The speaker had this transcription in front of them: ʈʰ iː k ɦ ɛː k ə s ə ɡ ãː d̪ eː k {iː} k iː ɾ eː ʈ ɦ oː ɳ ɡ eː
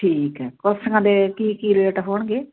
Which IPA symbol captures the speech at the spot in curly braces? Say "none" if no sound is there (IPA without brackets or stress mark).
iː